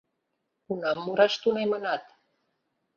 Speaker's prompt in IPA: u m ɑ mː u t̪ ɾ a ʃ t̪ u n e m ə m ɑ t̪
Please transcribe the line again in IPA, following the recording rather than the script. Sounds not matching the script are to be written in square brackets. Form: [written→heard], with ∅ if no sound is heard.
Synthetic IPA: u [m→n] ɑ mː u [t̪→∅] ɾ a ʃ t̪ u n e m ə [m→n] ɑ t̪

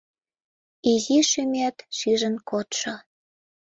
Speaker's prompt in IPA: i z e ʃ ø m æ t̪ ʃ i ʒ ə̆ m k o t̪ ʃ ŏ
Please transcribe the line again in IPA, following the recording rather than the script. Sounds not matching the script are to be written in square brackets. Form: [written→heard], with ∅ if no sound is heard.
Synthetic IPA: i z [e→i] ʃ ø m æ t̪ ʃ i ʒ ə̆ [m→n] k o t̪ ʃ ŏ

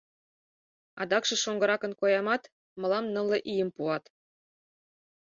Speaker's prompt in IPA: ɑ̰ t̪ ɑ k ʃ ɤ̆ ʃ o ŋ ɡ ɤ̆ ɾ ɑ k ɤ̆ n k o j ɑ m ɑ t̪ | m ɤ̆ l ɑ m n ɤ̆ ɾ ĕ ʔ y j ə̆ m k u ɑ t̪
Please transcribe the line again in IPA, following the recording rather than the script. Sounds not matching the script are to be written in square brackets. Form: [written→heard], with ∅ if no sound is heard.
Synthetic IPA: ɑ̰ [t̪→d̪] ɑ k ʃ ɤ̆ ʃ o ŋ ɡ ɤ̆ ɾ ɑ k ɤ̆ n k o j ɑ m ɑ t̪ | m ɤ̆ l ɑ m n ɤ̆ [ɾ→l] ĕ ʔ [y→i] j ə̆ m [k→p] u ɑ t̪

